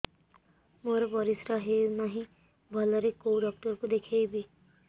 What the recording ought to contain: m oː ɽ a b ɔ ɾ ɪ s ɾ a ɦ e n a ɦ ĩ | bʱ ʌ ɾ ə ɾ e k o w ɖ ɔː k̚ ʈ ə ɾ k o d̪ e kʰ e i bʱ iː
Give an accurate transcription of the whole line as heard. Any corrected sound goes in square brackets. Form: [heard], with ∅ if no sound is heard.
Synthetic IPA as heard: m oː [ɾ] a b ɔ ɾ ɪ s ɾ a ɦ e n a ɦ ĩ | bʱ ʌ [l] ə ɾ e k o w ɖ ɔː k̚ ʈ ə ɾ k o d̪ e kʰ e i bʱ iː

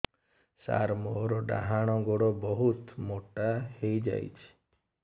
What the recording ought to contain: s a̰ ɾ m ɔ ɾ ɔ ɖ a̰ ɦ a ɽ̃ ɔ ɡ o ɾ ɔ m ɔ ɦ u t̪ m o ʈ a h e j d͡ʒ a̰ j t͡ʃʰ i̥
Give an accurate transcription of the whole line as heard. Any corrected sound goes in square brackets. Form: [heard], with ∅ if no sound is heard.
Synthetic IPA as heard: s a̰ ɾ m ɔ ɾ ɔ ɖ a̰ ɦ a ɽ̃ ɔ ɡ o [ɽ] ɔ [b] ɔ ɦ u t̪ m o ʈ a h e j d͡ʒ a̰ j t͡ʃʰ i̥

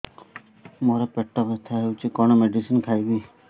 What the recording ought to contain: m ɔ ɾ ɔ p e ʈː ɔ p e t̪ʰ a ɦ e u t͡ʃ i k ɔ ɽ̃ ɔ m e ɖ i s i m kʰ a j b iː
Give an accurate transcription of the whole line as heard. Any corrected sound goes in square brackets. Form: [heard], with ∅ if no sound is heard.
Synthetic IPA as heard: m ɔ ɾ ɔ p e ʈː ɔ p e t̪ʰ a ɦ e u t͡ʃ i k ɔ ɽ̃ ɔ m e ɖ i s i [n] kʰ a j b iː

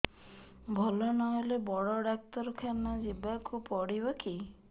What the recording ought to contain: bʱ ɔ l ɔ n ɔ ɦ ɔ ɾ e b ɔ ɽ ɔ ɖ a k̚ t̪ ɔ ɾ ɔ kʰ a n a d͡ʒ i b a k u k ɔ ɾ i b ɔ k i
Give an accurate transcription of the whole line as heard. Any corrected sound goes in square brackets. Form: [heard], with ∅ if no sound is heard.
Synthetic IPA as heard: bʱ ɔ l ɔ n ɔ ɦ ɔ [l] e b ɔ ɽ ɔ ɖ a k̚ t̪ ɔ ɾ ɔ kʰ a n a d͡ʒ i b a k u [p] ɔ [ɽ] i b ɔ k i

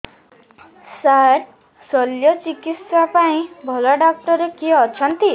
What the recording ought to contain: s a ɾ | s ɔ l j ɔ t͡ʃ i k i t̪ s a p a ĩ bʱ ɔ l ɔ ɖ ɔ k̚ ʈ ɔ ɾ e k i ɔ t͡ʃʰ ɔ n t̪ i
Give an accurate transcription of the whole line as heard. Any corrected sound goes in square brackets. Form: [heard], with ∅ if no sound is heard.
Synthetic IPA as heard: s a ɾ | s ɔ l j ɔ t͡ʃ i k i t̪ s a p a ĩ bʱ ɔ l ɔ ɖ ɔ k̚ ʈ ɔ ɾ e k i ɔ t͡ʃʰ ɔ n t̪ i

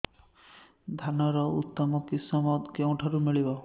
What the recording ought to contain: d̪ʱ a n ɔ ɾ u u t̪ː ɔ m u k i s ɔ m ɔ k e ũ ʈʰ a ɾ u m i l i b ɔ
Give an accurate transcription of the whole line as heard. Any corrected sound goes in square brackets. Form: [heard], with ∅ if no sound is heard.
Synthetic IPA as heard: d̪ʱ a n ɔ ɾ [ɔ] u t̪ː ɔ m [ɔ] k i s ɔ m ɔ k e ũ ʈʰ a ɾ u m i [ɭ] i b ɔ

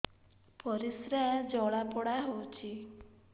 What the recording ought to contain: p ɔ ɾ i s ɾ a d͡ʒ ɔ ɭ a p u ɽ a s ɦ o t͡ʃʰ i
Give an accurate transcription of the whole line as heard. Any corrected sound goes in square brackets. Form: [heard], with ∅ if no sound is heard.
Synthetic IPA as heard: p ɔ ɾ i s ɾ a d͡ʒ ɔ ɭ a p [ɔ] ɽ a [∅] ɦ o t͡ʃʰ i

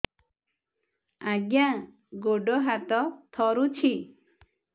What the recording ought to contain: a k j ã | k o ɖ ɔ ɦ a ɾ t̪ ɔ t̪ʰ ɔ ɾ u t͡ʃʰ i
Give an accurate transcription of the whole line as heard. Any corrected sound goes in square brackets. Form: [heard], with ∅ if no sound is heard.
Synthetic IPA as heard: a [ɡ] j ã | [ɡ] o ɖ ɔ ɦ a [∅] t̪ ɔ t̪ʰ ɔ ɾ u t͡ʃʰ i

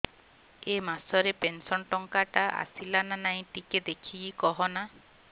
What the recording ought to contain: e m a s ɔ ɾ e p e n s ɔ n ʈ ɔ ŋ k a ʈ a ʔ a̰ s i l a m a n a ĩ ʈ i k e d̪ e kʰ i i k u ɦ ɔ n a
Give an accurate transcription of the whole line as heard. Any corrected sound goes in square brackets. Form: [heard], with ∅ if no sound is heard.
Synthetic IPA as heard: e m a s ɔ ɾ e p e n s ɔ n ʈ ɔ ŋ k a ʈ a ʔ a̰ s i l a [n] a n a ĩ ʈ i k e d̪ e kʰ i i k [ɔ] ɦ ɔ n a

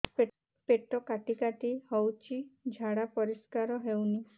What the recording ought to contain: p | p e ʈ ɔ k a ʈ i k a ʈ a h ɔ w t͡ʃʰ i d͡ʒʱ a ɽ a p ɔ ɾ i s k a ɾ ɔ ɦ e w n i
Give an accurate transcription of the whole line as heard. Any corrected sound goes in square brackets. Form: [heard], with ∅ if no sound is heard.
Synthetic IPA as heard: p | p e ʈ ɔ k a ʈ i k a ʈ [i] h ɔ w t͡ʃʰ i d͡ʒʱ a ɽ a p ɔ ɾ i s k a ɾ ɔ ɦ e w n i

